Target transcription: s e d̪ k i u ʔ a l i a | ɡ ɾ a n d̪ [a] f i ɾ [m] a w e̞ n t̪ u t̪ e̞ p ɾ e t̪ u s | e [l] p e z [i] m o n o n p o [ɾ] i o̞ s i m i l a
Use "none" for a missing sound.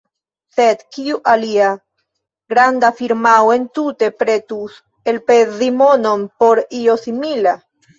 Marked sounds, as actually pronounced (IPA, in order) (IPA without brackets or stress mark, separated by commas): a, m, l, i, ɾ